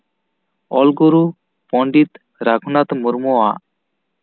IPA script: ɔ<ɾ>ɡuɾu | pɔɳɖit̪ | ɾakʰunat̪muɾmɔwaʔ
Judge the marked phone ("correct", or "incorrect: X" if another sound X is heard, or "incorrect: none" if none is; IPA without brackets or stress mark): incorrect: l